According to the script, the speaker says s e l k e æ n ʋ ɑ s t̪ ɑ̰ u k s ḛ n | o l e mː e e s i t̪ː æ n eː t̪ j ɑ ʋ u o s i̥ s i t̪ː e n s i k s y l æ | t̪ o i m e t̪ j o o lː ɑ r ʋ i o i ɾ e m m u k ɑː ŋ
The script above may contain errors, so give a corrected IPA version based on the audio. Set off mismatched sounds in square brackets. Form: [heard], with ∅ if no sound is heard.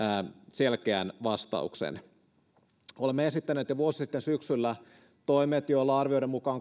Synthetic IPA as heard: s e l k e æ n ʋ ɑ s t̪ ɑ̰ u k s ḛ n | o l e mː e e s i t̪ː æ n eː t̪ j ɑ ʋ u o s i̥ s i t̪ː e n s [y] k s y [lː] æ | t̪ o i m e t̪ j o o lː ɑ r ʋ i o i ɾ e m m u k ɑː ŋ

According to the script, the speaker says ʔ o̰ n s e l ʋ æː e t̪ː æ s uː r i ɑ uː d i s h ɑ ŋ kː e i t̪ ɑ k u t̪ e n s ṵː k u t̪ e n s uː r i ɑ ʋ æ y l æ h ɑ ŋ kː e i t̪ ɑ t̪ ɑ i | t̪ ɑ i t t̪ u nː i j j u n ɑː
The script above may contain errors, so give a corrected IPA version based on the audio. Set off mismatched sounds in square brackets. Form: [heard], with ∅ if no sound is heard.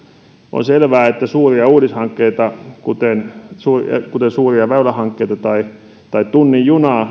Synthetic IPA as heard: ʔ o̰ n s e l ʋ æː e t̪ː æ s uː r i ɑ uː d i s h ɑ ŋ kː e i t̪ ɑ k u t̪ e n s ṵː k u t̪ e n s uː r i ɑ ʋ æ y l æ h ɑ ŋ kː e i t̪ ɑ t̪ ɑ i | t̪ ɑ i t t̪ u nː i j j u n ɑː

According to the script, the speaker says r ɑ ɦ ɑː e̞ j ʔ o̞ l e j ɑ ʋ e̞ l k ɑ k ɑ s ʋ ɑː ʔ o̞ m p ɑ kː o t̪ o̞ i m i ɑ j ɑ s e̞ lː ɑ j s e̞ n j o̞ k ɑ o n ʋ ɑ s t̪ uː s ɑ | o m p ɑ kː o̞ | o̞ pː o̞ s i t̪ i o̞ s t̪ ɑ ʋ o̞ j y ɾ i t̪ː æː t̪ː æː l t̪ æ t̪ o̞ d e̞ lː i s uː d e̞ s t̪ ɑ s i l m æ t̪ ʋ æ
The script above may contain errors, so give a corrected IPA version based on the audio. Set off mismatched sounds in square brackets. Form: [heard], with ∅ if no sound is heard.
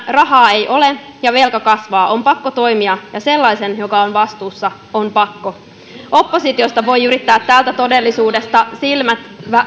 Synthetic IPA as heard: r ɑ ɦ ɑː e̞ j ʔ o̞ l e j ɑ ʋ e̞ l k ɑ k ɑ s ʋ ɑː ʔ o̞ m p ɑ kː o t̪ o̞ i m i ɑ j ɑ s e̞ lː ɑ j s e̞ n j o̞ k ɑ o n ʋ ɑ s t̪ uː [sː] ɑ | o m p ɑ kː o̞ | o̞ pː o̞ s i t̪ i o̞ s t̪ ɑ ʋ o̞ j y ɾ i t̪ː æː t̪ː æː l t̪ æ t̪ o̞ d e̞ lː i s uː d e̞ s t̪ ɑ s i l m æ t̪ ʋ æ

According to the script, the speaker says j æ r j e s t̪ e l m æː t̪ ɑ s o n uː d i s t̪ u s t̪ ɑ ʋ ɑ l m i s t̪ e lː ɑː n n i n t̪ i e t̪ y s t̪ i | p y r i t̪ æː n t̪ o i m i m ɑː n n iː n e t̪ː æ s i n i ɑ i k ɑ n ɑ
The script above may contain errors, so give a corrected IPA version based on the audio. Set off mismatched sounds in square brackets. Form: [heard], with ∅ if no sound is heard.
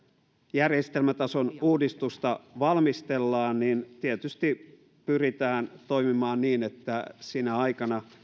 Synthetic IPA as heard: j æ r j e s t̪ e l m [æ] t̪ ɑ s o n uː d i s t̪ u s t̪ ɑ ʋ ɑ l m i s t̪ e lː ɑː n n i n t̪ i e t̪ y s t̪ i | p y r i t̪ æː n t̪ o i m i m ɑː n n iː n e t̪ː æ s i n [æ] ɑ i k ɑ n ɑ

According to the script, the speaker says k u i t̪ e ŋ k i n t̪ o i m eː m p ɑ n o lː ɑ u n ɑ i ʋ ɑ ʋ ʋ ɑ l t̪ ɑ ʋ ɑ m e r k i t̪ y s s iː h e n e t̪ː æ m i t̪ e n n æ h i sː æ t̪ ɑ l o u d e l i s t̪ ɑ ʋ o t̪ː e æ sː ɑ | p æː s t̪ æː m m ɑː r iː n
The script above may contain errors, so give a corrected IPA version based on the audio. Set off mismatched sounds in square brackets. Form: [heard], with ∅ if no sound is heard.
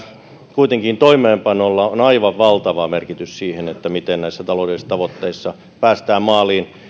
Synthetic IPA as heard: k u i t̪ e ŋ k i n t̪ o i m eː m p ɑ n o lː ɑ [o] n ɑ i ʋ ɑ ʋ ʋ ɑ l t̪ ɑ ʋ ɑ m e r k i t̪ y s s iː h e n e t̪ː æ m i t̪ e n n æ [∅] i sː æ t̪ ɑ l o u d e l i s t̪ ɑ ʋ o t̪ː e [i] sː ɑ | p æː s t̪ æː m m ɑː [l] iː n

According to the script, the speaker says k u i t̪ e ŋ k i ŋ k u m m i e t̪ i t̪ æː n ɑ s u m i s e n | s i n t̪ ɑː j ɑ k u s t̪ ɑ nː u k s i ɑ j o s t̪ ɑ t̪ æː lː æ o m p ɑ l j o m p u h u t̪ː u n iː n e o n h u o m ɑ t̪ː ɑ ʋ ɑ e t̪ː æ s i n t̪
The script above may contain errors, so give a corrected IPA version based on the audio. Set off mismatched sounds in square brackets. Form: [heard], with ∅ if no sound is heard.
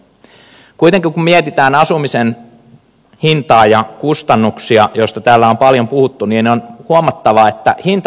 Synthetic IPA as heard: k u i t̪ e ŋ k i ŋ k u m m i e t̪ i t̪ æː n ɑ s u m i s e n | [h] i n t̪ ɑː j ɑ k u s t̪ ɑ nː u k s i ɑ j o s t̪ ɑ t̪ æː lː æ o m p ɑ l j o m p u h u t̪ː u n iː n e o n h u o m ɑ t̪ː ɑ ʋ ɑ e t̪ː æ [h] i n t̪

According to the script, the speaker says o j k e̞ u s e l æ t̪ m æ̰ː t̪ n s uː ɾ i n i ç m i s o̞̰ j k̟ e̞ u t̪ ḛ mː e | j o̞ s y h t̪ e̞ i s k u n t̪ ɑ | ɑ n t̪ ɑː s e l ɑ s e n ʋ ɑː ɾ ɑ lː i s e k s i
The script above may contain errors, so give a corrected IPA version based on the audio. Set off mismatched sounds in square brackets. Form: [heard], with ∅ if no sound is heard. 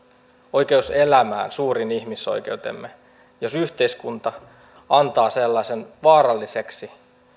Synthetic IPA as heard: o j k e̞ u s e l æ [∅] m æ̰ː [∅] n s uː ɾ i n i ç m i s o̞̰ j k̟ e̞ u t̪ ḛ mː e | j o̞ s y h t̪ e̞ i s k u n t̪ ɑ | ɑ n t̪ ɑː s e [lː] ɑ s e n ʋ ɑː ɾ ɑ lː i s e k s i

